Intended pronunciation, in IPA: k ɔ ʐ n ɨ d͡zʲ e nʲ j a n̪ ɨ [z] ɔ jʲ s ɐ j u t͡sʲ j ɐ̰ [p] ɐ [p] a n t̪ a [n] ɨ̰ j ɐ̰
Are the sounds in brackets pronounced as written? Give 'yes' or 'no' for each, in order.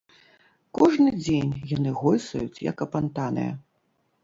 no, no, yes, yes

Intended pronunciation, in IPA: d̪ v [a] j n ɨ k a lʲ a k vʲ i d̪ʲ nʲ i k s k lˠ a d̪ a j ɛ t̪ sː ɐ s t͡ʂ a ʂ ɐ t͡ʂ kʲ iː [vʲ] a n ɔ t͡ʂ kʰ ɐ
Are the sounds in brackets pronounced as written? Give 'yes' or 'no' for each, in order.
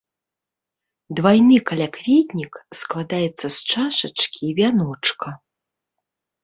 yes, yes

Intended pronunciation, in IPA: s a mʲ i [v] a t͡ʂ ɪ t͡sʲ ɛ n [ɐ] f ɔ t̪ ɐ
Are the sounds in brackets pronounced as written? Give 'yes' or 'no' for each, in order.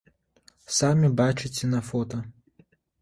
no, yes

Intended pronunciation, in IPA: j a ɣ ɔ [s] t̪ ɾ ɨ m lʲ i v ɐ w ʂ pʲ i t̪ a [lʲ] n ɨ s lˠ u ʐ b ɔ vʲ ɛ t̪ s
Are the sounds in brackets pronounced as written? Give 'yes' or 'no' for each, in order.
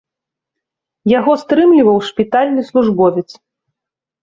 yes, yes

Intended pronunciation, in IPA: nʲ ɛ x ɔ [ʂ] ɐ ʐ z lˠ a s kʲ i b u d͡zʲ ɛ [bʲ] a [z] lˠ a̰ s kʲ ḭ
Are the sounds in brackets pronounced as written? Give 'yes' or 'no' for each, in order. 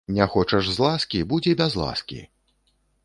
no, yes, yes

